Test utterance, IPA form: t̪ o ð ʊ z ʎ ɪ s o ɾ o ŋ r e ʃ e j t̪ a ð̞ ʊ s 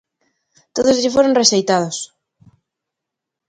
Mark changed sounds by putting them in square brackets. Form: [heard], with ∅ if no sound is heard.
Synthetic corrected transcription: t̪ o ð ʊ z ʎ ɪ [f] o ɾ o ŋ r e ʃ e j t̪ a ð̞ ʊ s